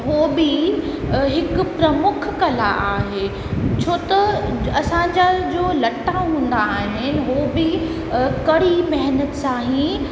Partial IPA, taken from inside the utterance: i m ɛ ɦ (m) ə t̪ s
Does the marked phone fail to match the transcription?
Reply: yes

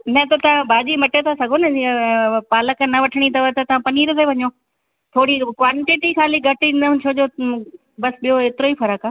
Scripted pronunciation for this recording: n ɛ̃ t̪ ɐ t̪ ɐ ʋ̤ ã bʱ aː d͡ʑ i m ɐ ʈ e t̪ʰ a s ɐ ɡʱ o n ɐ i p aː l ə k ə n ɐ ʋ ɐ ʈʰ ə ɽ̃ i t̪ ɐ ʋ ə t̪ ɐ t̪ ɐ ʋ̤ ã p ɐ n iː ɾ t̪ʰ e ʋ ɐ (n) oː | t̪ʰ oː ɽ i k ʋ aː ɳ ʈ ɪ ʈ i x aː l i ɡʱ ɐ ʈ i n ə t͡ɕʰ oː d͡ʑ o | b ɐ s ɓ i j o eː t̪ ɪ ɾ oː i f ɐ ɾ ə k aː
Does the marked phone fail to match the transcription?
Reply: yes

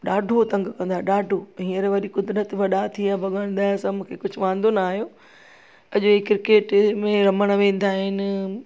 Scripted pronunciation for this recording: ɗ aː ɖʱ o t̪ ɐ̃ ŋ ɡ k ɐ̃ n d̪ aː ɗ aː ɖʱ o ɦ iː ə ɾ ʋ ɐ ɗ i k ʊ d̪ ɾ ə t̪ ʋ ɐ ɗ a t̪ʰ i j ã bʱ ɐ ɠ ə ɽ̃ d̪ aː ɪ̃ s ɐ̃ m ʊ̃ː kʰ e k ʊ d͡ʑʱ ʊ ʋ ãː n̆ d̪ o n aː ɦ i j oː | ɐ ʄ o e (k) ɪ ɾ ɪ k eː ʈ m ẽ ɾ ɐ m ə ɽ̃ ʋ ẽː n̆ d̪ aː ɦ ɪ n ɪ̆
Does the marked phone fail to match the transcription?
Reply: no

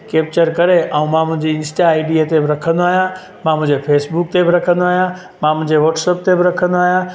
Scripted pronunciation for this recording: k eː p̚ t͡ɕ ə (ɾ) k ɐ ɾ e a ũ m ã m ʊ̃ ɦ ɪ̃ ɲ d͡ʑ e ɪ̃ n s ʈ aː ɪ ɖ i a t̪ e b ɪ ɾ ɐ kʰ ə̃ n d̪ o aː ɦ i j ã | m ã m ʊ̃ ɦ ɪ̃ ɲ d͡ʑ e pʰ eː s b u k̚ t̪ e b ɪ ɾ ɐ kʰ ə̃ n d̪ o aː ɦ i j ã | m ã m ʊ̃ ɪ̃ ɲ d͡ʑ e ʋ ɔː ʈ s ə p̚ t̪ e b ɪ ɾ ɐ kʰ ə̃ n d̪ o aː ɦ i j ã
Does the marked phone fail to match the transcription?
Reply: no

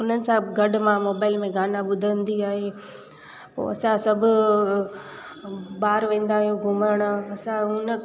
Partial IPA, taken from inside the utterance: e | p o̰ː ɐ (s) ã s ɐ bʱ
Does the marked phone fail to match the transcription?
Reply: no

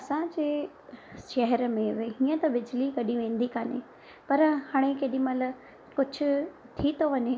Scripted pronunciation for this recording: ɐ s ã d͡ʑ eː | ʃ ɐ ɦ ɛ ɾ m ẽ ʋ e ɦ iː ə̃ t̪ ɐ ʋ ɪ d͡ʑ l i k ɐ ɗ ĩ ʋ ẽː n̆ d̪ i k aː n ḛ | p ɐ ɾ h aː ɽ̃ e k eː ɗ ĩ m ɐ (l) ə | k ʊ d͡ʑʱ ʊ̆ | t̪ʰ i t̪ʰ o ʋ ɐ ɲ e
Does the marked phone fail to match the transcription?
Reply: no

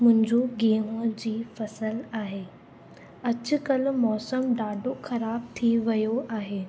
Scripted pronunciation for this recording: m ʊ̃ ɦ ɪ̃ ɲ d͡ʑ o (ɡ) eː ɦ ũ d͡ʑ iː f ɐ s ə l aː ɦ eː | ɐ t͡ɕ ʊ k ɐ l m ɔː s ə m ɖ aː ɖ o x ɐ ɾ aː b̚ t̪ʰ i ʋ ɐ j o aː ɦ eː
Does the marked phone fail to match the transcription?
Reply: no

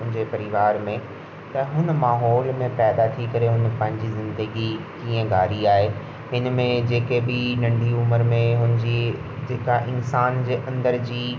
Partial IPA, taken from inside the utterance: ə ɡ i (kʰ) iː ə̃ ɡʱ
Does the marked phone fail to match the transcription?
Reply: yes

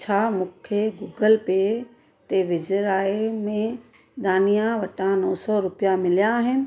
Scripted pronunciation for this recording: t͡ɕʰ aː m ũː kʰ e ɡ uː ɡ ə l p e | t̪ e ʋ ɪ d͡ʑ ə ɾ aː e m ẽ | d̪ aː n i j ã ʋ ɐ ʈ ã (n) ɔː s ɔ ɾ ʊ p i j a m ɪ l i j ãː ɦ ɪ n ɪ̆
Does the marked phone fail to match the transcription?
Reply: no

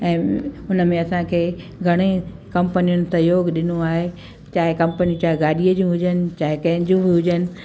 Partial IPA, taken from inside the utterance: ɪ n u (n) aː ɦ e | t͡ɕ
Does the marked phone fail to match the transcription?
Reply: yes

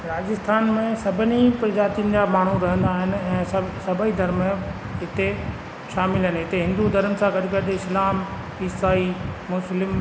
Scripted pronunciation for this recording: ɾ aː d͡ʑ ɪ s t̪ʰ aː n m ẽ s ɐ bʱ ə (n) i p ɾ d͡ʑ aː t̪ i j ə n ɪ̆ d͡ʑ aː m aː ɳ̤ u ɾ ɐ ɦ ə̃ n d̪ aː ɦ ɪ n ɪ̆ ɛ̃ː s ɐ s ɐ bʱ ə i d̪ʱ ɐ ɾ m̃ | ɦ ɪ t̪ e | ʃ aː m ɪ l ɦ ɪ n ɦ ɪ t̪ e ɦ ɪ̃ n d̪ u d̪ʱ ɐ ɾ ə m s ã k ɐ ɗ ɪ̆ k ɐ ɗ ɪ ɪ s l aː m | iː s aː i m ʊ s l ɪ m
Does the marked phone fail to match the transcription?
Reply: no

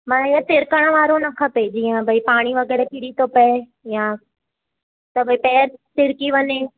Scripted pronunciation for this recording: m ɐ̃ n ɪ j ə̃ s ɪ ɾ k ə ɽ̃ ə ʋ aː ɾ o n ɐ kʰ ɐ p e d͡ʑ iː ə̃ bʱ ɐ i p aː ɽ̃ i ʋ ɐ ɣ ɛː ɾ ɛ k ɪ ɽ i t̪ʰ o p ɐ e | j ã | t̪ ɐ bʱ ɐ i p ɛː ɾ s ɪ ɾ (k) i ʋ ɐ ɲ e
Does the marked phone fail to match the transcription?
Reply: no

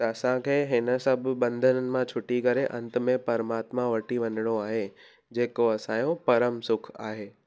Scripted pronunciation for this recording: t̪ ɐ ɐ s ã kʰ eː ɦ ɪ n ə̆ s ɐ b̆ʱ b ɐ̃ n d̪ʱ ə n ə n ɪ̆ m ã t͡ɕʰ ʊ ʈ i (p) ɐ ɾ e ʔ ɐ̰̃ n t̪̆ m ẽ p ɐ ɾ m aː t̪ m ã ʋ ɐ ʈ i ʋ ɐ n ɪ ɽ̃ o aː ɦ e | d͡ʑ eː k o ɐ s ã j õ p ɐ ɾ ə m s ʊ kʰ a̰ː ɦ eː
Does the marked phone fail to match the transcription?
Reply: yes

